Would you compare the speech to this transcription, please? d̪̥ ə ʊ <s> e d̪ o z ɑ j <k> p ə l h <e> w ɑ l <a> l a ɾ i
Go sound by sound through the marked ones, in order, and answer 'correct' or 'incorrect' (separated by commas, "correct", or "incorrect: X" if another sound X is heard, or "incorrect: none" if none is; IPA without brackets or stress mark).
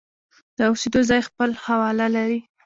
correct, incorrect: x, incorrect: a, correct